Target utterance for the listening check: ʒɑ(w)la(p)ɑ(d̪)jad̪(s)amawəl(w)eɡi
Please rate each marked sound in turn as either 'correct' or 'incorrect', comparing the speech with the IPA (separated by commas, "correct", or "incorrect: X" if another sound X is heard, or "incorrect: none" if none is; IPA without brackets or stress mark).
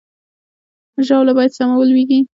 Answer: correct, incorrect: b, incorrect: none, correct, correct